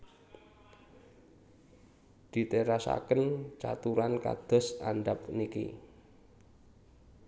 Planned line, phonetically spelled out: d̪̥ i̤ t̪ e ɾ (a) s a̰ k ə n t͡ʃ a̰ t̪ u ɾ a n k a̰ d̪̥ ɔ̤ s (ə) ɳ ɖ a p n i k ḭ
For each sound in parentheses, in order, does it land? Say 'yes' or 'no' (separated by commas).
yes, no